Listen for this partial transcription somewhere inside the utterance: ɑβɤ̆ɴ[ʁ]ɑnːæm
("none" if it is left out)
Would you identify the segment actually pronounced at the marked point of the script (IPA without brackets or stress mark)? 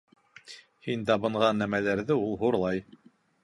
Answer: ʁ